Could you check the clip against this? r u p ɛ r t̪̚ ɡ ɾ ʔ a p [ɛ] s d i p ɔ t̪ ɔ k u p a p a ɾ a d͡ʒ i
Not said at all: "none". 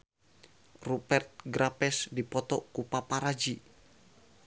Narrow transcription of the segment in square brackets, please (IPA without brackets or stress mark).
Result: ɛ